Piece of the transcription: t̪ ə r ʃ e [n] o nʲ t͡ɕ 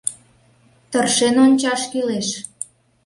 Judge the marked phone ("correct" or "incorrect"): correct